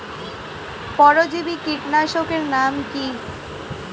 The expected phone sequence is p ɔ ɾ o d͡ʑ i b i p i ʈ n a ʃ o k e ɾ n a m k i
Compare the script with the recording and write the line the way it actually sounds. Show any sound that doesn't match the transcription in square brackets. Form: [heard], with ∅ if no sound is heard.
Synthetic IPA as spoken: p ɔ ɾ o d͡ʑ i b i [k] i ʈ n a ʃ o k e ɾ n a m k i